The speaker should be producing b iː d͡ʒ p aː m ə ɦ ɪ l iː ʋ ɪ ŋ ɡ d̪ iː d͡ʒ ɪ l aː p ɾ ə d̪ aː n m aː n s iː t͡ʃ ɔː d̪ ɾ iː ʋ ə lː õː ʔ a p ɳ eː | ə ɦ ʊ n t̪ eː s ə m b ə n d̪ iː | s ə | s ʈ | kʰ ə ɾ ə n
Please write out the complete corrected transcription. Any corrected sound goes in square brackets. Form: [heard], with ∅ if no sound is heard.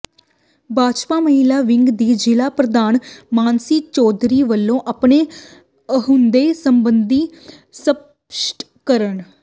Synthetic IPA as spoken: b [aː] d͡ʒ p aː m ə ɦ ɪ l [aː] ʋ ɪ ŋ ɡ d̪ iː d͡ʒ ɪ l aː p ɾ ə d̪ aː n m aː n s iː t͡ʃ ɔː d̪ ɾ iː ʋ ə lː õː ʔ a p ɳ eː | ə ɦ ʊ n [d̪] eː s ə m b ə n d̪ iː | s ə | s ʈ | [k] ə ɾ ə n